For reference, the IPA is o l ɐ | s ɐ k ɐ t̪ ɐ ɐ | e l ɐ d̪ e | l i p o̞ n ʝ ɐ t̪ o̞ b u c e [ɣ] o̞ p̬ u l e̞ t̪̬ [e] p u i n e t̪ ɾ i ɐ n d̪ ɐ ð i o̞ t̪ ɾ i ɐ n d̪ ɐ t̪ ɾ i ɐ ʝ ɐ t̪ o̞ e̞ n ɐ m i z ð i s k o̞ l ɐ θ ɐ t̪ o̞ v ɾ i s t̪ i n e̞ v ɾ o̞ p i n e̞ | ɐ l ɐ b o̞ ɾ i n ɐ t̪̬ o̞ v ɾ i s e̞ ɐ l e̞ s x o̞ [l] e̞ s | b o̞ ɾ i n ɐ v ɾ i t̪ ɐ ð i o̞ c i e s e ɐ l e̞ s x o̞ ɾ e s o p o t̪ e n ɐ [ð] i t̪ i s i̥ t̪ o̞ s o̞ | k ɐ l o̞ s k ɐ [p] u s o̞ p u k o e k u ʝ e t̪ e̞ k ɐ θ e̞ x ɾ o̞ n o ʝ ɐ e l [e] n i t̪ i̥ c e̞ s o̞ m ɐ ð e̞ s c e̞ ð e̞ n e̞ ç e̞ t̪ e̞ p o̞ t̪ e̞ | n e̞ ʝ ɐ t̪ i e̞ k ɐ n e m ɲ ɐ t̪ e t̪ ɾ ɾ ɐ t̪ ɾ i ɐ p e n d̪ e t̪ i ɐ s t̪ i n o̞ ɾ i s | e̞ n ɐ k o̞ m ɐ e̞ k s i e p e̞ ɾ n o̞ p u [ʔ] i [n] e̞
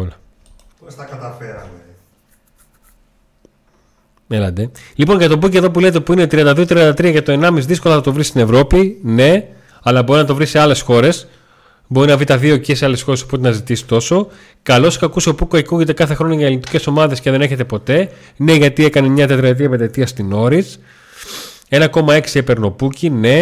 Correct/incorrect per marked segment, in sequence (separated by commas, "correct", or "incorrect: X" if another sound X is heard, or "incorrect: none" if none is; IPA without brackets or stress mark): incorrect: ð, correct, incorrect: ɾ, incorrect: z, incorrect: k, incorrect: i, incorrect: c, correct